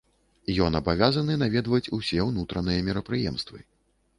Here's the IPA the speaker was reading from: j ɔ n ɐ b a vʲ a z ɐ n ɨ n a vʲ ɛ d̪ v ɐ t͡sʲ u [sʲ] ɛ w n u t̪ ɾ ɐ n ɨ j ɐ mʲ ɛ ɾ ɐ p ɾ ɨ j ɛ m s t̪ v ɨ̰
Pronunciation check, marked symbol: correct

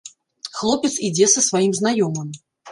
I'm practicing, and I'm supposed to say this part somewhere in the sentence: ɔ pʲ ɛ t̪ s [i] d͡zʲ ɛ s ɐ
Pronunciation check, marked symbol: correct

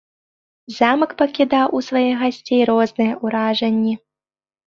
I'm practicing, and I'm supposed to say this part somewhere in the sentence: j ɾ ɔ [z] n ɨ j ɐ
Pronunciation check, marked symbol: correct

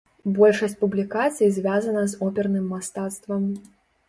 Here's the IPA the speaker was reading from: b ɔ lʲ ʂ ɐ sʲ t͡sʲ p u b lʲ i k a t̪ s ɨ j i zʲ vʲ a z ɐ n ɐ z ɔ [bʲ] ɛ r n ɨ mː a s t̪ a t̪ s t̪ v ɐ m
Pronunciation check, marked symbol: incorrect: pʲ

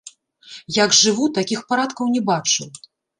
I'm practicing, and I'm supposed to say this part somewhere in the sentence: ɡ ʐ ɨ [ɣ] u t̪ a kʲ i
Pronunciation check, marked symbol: incorrect: v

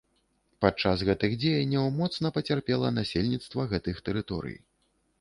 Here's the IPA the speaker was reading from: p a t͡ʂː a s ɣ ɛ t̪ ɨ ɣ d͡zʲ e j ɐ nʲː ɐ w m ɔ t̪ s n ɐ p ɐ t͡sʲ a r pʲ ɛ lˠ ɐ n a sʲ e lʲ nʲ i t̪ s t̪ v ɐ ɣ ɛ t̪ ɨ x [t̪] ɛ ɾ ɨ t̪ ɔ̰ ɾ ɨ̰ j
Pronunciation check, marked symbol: correct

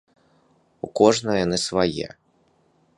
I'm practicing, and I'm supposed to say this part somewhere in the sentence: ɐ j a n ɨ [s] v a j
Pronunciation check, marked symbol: correct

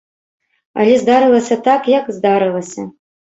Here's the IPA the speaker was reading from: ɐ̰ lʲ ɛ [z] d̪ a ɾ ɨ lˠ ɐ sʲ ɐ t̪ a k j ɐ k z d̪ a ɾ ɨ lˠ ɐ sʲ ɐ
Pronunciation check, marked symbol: correct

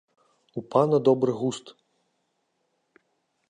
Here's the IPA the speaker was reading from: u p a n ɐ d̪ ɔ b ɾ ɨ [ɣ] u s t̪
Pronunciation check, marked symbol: correct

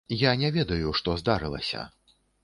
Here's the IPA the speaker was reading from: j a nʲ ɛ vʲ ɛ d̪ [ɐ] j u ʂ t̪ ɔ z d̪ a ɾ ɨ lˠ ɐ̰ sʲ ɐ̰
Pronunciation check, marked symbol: correct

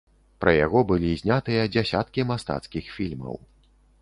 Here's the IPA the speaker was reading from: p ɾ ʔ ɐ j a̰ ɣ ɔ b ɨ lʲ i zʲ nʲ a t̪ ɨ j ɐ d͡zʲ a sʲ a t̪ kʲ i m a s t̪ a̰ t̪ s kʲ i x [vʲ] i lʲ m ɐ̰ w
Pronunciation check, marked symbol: incorrect: fʲ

